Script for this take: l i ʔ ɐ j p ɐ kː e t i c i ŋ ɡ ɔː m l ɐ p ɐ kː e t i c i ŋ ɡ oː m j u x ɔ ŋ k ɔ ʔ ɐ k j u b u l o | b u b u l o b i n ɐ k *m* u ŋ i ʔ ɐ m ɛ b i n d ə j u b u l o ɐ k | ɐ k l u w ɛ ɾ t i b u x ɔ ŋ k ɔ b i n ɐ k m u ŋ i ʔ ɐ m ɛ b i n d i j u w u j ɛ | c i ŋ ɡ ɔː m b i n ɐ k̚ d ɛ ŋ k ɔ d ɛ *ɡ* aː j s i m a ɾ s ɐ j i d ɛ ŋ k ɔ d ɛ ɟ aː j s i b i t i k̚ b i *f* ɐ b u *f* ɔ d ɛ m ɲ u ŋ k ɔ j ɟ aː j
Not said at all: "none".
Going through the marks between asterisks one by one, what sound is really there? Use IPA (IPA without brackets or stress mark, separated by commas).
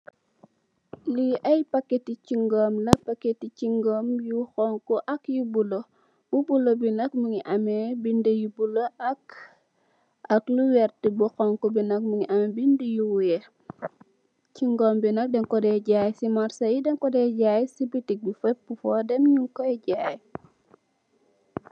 m, ɟ, f, f